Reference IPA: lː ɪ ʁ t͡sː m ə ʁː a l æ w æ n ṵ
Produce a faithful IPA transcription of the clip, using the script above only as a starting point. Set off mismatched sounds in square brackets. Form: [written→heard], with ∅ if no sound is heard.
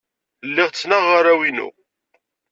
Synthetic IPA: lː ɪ ʁ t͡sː [m→n] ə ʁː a [l→ɾ] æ w [æ→i] n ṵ

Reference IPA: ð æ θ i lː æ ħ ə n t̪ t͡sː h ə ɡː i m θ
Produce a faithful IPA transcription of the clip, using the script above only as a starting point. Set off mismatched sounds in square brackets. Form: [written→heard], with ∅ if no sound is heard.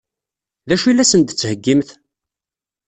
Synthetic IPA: ð æ [θ→ʃ] i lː æ [ħ→s] ə n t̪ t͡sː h ə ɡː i m θ

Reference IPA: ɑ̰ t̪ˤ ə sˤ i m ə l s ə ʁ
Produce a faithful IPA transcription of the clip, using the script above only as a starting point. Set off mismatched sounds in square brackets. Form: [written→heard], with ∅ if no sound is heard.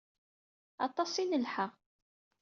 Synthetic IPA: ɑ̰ t̪ˤ [ə→ɑ] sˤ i [m→n] ə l [s→ħ] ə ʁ

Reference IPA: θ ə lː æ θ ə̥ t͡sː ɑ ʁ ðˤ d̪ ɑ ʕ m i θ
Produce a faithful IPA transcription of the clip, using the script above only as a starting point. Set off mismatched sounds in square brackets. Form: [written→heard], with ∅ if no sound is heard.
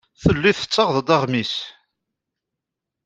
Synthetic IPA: θ ə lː [æ→i] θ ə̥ t͡sː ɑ ʁ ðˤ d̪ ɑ [ʕ→ʁ] m i [θ→s]

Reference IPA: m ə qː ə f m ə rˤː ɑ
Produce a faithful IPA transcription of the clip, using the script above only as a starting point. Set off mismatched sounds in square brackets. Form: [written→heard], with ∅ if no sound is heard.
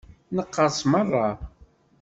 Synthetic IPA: [m→n] ə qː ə [f→s] m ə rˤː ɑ

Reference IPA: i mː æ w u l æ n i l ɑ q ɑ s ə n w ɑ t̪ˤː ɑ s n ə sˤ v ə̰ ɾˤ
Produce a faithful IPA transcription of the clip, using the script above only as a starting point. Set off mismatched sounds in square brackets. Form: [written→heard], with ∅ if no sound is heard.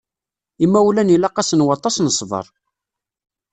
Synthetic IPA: i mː æ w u l æ n i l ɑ q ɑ s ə n w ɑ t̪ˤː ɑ s n ə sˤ v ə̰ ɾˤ

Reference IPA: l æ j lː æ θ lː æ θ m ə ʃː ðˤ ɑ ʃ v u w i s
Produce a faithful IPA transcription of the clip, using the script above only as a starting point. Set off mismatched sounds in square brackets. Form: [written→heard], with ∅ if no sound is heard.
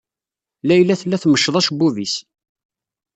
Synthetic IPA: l æ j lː æ θ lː æ θ m ə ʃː ðˤ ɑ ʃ [v→b] u [w→v] i s

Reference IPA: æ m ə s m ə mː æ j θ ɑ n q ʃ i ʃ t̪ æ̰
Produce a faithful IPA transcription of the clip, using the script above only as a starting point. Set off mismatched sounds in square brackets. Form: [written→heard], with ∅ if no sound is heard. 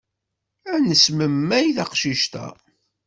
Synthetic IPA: æ [m→n] ə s m ə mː æ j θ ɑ [n→∅] q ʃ i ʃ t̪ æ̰

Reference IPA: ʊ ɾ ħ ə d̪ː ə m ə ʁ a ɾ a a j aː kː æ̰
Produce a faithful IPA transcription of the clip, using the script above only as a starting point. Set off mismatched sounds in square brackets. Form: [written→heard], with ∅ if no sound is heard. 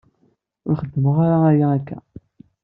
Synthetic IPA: ʊ ɾ [ħ→χ] ə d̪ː ə m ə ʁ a ɾ a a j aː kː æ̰

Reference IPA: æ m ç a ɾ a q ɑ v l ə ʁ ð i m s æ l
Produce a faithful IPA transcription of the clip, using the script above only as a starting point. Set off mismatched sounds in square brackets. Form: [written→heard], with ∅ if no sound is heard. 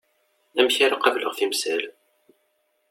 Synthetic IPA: æ m ç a ɾ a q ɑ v l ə ʁ [ð→θ] i m s æ l

